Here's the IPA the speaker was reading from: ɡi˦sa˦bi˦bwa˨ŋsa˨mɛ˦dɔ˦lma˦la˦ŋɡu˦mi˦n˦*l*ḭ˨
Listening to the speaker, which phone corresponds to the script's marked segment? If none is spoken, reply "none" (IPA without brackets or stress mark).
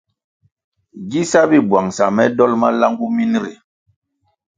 ɾ